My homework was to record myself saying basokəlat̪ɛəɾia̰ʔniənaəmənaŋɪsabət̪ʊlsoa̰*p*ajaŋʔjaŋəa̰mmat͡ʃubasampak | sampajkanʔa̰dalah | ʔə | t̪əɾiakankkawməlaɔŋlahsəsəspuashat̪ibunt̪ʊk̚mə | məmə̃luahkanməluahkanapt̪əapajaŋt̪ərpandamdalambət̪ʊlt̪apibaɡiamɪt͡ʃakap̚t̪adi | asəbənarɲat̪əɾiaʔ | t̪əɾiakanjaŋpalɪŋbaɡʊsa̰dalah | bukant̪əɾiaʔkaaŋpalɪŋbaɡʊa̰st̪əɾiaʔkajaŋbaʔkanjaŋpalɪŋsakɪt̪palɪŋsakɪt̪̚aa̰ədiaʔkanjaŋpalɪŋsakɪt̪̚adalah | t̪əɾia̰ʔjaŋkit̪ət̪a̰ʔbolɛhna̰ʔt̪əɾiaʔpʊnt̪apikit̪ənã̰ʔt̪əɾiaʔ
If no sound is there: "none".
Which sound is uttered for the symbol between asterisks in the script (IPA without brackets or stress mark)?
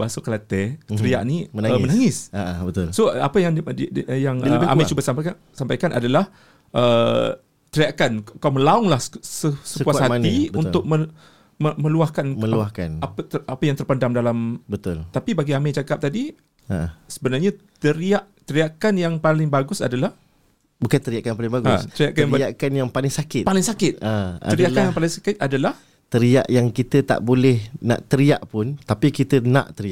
p